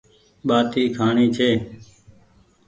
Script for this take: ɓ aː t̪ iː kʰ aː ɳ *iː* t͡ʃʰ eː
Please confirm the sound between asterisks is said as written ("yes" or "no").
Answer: yes